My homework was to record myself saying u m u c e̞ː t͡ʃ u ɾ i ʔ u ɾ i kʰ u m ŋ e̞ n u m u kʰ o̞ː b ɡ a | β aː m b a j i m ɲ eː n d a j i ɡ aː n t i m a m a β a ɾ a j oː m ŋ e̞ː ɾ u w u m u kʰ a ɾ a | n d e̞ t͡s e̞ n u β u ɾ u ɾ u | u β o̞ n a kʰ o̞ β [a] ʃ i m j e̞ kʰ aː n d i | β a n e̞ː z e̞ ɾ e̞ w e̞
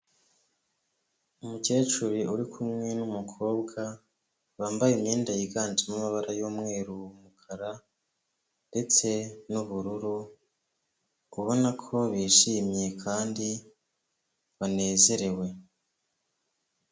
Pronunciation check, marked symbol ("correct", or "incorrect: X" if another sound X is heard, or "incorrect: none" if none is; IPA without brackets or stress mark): incorrect: i